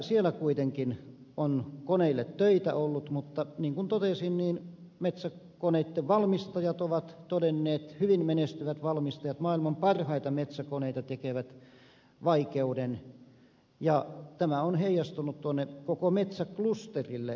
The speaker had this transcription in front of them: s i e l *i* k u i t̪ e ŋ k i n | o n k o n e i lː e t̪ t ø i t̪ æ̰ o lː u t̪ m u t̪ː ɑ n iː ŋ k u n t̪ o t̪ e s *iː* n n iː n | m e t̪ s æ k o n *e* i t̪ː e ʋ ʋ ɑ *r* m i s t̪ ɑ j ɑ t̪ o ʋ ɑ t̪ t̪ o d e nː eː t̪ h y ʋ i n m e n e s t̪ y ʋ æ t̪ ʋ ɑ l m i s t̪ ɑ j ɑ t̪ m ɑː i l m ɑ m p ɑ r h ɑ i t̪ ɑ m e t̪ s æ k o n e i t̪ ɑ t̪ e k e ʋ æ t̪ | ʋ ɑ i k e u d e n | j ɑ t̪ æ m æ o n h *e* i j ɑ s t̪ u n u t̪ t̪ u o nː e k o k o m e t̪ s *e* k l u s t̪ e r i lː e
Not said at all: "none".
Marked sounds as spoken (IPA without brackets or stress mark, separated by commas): æ, i, e, l, e, æ